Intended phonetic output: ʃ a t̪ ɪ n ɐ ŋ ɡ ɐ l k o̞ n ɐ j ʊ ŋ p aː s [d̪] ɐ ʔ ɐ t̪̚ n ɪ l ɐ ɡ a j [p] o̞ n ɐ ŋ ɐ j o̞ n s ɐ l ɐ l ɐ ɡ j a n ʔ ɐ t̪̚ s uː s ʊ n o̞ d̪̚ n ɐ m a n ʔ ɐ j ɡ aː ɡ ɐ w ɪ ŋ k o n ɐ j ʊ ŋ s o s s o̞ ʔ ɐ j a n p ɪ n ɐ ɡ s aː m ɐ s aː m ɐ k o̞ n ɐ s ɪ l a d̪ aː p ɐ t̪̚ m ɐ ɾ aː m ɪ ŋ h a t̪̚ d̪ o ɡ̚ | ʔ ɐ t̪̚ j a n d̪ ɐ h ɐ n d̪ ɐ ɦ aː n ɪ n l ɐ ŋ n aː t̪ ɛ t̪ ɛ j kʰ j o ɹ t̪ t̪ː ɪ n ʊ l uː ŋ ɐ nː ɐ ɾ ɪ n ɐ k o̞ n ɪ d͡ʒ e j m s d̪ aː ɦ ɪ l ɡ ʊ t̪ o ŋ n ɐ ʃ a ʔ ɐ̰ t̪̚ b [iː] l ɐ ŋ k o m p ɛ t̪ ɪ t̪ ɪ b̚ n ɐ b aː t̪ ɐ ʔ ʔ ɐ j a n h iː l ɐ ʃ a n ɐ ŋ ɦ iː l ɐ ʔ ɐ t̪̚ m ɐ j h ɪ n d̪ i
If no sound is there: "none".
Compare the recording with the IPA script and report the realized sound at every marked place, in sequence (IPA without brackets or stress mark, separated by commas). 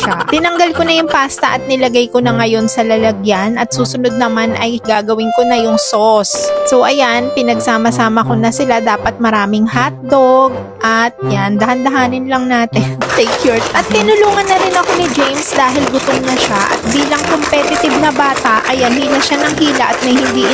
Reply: t̪, k, iː